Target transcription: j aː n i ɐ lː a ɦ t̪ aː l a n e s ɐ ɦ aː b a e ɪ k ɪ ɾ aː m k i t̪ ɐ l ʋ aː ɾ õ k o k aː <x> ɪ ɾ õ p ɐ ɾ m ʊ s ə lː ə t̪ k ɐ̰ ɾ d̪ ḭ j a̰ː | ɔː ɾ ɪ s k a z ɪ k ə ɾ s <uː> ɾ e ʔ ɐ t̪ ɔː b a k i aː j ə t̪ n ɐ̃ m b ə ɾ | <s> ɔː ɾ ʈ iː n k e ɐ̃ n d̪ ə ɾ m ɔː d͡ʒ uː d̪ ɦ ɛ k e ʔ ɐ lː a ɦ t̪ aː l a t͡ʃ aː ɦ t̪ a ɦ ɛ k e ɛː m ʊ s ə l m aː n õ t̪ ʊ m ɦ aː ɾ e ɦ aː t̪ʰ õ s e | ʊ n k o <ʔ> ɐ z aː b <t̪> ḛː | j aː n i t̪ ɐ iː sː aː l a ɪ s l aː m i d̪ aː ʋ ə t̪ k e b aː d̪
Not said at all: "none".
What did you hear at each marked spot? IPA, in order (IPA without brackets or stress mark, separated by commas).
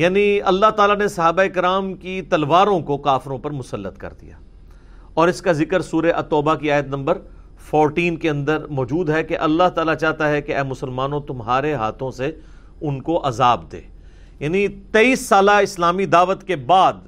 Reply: f, uː, f, ʔ, d̪